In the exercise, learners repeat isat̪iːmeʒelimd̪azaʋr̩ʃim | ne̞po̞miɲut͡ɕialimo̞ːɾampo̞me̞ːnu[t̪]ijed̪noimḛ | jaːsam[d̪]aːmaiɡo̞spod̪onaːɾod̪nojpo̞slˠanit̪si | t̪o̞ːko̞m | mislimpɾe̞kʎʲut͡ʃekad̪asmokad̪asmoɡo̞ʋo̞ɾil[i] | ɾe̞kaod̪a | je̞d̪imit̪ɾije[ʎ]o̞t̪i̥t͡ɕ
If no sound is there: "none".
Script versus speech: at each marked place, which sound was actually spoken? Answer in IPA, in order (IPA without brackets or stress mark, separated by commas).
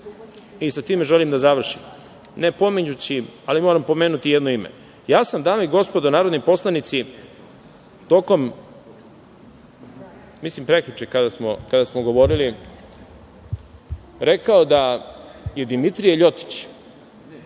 t̪, d̪, i, ʎ